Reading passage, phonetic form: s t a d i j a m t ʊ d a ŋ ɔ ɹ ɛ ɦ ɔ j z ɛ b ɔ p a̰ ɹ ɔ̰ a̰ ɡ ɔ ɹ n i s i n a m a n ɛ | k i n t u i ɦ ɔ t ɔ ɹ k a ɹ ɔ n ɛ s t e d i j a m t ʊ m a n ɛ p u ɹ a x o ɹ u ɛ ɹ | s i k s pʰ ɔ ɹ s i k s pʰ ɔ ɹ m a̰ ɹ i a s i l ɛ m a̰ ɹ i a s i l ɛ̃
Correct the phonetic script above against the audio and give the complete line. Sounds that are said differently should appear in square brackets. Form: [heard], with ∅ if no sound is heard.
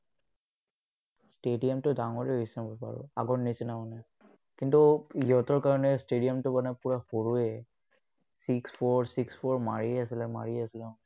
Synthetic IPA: s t [e] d i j a m t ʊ d a ŋ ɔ ɹ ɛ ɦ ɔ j [s] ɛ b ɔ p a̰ ɹ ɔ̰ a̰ ɡ ɔ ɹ n i s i n a m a n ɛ | k i n t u i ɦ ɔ t ɔ ɹ k a ɹ ɔ n ɛ s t e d i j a m t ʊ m a n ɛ p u ɹ a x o ɹ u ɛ [∅] | s i k s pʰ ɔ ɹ s i k s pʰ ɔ ɹ m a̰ ɹ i a s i l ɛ m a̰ ɹ i a s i l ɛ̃

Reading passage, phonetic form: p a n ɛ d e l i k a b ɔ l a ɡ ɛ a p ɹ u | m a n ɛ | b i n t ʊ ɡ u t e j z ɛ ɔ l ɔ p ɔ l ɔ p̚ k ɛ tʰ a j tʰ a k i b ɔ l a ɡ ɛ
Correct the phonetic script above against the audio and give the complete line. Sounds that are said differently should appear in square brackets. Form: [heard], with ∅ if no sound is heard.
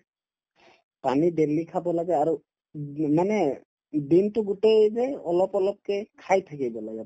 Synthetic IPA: p a n [i] d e l i [kʰ] a b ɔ l a ɡ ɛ a [∅] ɹ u | m a n ɛ | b i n t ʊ ɡ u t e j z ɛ ɔ l ɔ p ɔ l ɔ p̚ k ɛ [kʰ] a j tʰ a k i b ɔ l a ɡ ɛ

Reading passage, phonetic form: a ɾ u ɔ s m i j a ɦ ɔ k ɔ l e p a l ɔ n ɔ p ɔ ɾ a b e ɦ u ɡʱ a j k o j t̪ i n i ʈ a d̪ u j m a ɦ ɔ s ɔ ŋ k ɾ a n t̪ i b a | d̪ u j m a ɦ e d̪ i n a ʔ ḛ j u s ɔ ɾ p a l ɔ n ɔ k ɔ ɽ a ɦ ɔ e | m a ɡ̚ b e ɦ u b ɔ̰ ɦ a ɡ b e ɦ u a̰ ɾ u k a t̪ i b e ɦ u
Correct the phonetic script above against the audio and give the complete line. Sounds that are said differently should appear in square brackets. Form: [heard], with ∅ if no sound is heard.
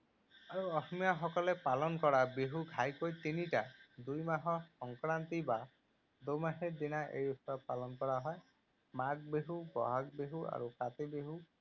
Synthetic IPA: a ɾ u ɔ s m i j a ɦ ɔ k ɔ l e p a l ɔ n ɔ [k] ɔ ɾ a b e ɦ u ɡʱ a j k o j t̪ i n i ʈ a d̪ u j m a ɦ ɔ s ɔ ŋ k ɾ a n t̪ i b a | d̪ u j m a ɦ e d̪ i n a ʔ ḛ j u s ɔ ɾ p a l ɔ n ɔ k ɔ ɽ a ɦ ɔ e | m a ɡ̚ b e ɦ u b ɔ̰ ɦ a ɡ b e ɦ u a̰ ɾ u k a t̪ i b e ɦ u

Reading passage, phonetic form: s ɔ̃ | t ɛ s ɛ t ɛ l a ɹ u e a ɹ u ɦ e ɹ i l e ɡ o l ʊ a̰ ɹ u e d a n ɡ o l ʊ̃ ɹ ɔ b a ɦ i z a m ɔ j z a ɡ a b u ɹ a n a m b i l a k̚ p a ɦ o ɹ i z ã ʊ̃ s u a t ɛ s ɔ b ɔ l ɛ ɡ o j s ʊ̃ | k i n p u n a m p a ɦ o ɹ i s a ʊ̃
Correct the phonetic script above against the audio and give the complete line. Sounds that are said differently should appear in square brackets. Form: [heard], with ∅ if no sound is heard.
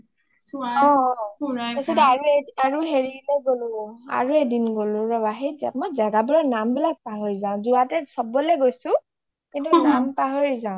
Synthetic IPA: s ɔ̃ | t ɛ s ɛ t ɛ [∅] a ɹ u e a ɹ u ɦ e ɹ i l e ɡ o l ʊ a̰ ɹ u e d [i] n ɡ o l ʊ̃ ɹ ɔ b a ɦ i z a m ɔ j z a ɡ a b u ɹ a n a m b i l a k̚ p a ɦ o ɹ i z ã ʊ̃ [z] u a t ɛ s ɔ b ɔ l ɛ ɡ o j s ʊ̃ | k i n [t] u n a m p a ɦ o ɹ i [z] a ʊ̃

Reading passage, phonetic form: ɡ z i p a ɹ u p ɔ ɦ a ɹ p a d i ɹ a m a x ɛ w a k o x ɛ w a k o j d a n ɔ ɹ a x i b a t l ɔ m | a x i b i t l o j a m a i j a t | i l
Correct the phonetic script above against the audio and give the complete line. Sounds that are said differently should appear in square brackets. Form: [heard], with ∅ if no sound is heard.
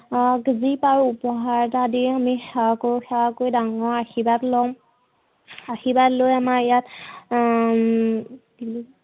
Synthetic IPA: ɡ z i p a ɹ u p ɔ ɦ a ɹ [t] a d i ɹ a m [i] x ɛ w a k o x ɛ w a k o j d a [ŋ] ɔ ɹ a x i b a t l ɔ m | a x i b [a] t l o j a m a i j a t | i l

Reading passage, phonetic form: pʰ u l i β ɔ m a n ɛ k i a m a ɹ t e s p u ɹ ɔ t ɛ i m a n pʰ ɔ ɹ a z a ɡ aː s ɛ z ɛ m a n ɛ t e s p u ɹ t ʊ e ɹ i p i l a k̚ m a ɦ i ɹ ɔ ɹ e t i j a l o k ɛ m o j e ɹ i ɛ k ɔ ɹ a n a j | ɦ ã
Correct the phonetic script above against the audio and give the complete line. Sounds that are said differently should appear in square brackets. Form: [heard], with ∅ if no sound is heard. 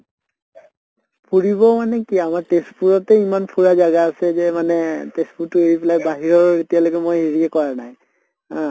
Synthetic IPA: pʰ u [ɹ] i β ɔ m a n ɛ k i a m a ɹ t e s p u ɹ ɔ t ɛ i m a n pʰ [u] ɹ a z a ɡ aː s ɛ z ɛ m a n ɛ t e s p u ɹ t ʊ e ɹ i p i l a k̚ [b] a ɦ i ɹ ɔ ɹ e t i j a l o k ɛ m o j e ɹ i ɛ k ɔ ɹ a n a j | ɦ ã

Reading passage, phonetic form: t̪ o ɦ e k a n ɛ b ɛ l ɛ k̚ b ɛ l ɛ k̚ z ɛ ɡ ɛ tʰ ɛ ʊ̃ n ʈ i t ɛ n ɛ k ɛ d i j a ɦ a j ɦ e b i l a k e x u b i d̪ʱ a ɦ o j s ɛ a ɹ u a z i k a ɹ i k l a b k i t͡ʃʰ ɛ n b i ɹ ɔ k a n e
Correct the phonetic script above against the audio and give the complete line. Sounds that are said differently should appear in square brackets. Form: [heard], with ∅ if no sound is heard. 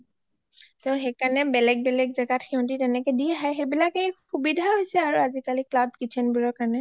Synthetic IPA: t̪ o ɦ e k a n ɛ b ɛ l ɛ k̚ b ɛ l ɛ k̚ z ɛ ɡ [a] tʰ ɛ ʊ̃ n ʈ i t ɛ n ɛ k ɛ d i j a ɦ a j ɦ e b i l a k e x u b i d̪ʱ a ɦ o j s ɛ a ɹ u a z i k a [l] i k l a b k i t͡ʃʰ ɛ n b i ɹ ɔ k a n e

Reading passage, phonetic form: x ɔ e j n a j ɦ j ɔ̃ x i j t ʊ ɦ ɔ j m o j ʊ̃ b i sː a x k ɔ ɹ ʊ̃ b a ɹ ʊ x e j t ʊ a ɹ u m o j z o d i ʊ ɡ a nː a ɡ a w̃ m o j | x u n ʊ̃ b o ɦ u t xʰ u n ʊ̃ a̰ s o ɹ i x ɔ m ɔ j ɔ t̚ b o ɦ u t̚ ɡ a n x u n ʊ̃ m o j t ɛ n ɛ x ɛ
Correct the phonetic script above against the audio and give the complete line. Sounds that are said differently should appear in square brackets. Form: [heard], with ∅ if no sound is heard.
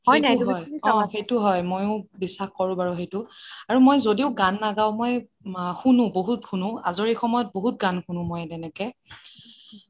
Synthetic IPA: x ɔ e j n a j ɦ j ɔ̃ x [e] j t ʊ ɦ ɔ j m o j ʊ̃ b i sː a x k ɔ ɹ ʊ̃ b a ɹ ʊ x e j t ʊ a ɹ u m o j z o d i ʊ ɡ a nː a ɡ a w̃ m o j | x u n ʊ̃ b o ɦ u t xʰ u n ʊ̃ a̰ [z] o ɹ i x ɔ m ɔ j ɔ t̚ b o ɦ u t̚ ɡ a n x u n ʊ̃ m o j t ɛ n ɛ [k] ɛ

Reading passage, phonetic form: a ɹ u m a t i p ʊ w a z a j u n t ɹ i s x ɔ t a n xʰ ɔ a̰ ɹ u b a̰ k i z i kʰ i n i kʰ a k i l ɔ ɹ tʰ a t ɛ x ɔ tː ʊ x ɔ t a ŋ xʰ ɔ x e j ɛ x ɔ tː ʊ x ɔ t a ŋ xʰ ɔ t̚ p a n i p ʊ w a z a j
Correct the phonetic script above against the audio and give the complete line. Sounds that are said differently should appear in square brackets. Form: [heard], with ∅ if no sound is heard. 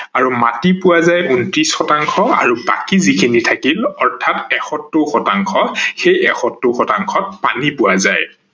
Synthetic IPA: a ɹ u m a t i p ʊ w a z a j u n t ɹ i s x ɔ t a [ŋ] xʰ ɔ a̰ ɹ u b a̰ k i z i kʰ i n i [tʰ] a k i l ɔ ɹ tʰ a t ɛ x ɔ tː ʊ x ɔ t a ŋ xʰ ɔ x e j ɛ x ɔ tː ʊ x ɔ t a ŋ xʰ ɔ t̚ p a n i p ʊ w a z a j

